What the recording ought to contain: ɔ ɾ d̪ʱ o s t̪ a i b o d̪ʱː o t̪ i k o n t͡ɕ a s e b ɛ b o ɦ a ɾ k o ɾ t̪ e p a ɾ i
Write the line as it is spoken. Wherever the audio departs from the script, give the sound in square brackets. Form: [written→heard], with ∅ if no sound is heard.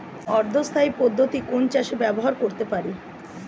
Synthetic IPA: ɔ ɾ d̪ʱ o s [t̪→t̪ʰ] a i [b→p] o d̪ʱː o t̪ i k o n t͡ɕ a [s→ʃ] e b ɛ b o ɦ a ɾ k o ɾ t̪ e p a ɾ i